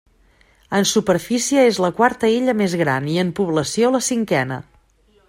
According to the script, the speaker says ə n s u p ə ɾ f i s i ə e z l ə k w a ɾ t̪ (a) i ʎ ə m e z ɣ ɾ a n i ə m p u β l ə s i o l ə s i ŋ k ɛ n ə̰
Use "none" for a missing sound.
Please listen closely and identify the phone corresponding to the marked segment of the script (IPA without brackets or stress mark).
ə